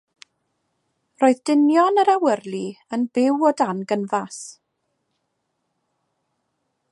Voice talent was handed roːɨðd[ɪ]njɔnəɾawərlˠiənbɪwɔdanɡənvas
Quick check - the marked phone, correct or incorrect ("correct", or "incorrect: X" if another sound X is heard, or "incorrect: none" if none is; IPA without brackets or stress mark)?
correct